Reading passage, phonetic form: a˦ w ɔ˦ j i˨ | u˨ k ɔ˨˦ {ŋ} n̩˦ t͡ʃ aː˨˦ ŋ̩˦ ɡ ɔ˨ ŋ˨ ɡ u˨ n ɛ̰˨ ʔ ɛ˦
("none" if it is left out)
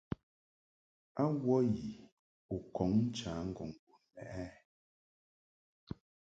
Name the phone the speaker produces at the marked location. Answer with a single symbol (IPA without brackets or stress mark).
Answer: ŋ